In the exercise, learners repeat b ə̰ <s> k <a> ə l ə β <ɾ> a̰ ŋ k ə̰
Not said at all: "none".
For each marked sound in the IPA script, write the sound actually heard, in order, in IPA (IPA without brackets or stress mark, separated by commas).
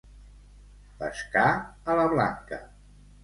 s, a, l